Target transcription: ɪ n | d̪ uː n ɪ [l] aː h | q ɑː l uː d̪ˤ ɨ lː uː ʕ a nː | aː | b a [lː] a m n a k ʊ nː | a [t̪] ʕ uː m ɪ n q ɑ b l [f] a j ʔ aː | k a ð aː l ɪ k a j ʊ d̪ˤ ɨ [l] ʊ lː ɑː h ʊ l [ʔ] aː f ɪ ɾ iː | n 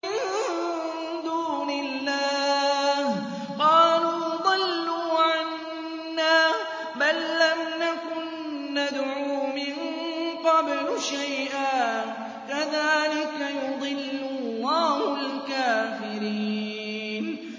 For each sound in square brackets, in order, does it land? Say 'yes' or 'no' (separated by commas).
no, yes, no, no, no, no